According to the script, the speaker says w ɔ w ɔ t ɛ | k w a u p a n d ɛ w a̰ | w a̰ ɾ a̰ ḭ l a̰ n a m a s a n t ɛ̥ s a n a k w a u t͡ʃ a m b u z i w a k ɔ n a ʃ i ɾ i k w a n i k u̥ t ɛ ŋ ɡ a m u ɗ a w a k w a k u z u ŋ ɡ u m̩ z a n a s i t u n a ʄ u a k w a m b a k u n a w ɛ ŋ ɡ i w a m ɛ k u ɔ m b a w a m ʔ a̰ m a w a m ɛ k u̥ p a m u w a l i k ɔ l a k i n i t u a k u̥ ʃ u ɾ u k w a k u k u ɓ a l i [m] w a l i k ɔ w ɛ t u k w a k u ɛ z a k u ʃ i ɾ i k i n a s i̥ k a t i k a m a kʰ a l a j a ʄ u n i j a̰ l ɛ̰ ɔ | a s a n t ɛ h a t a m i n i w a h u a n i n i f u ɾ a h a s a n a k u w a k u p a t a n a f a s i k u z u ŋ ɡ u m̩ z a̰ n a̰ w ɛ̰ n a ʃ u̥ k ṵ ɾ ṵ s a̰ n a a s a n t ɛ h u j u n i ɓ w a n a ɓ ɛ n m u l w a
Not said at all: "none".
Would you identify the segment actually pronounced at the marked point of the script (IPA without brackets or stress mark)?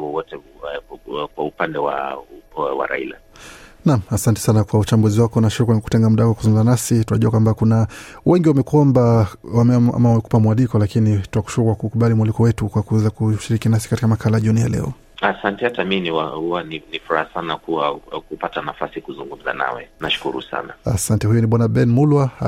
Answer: m